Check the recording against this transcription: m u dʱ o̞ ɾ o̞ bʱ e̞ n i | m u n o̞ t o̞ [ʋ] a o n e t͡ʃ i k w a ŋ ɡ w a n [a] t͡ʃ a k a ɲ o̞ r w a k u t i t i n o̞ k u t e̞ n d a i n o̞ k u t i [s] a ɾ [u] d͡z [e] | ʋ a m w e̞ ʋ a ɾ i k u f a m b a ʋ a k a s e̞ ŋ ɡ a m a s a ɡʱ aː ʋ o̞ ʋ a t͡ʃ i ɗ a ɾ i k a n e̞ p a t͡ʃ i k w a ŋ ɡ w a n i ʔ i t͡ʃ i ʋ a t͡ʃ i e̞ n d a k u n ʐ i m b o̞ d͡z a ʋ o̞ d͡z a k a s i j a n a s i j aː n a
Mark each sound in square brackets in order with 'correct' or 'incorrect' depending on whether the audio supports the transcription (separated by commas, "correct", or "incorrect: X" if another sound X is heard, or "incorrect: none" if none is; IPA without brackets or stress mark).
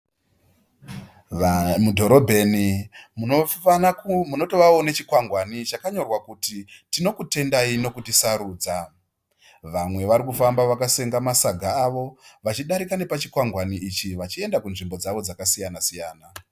correct, incorrect: i, correct, incorrect: uː, incorrect: a